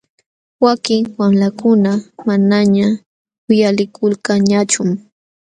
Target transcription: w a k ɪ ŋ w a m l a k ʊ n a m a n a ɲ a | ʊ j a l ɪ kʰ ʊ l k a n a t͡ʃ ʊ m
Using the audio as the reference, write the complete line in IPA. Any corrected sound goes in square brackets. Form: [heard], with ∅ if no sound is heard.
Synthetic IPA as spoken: w a k ɪ ŋ w a m l a k ʊ n a m a n a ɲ a | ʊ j a l ɪ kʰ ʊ l k a [ɲ] a t͡ʃ ʊ m